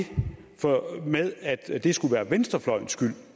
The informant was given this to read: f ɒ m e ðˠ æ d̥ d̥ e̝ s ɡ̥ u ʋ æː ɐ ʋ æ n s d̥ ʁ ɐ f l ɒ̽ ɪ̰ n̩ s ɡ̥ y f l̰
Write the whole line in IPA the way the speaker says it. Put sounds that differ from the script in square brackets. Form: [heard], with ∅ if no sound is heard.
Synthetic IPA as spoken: f ɒ m e ðˠ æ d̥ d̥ e̝ s ɡ̥ u ʋ æː ɐ ʋ [e] n s d̥ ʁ ɐ f l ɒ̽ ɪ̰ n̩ s ɡ̥ y [∅] l̰